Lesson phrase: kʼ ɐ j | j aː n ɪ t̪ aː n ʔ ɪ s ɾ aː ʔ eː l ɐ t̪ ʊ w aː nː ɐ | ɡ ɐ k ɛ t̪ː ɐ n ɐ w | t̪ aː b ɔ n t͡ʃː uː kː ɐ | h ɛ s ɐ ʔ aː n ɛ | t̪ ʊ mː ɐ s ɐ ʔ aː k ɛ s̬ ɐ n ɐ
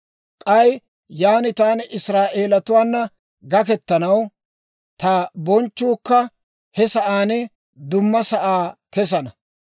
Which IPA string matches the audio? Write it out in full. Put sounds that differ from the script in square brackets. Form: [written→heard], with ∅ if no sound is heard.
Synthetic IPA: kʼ ɐ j | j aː n ɪ t̪ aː n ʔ ɪ s ɾ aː ʔ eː l ɐ t̪ ʊ w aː nː ɐ | ɡ ɐ k ɛ t̪ː ɐ n ɐ w | t̪ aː b ɔ n t͡ʃː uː kː ɐ | h ɛ s ɐ ʔ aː n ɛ | [t̪→d̪] ʊ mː ɐ s ɐ ʔ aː k ɛ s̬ ɐ n ɐ